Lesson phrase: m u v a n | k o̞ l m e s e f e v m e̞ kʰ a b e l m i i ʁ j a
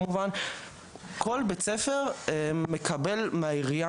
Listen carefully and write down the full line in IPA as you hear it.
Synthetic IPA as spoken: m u v a n | k o̞ l b e t͡s e f e ʁ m e̞ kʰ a b e l m a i ʁ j a